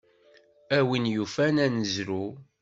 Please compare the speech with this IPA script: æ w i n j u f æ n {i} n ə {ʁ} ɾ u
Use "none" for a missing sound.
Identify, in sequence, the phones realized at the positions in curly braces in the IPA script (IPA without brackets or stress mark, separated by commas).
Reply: æ, z